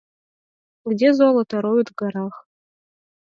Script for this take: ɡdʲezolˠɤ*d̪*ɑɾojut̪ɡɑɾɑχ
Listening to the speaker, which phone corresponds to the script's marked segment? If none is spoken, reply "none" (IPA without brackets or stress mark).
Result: t̪